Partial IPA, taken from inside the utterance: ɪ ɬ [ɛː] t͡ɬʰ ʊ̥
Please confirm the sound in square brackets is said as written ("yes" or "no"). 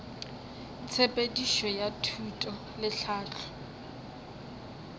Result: no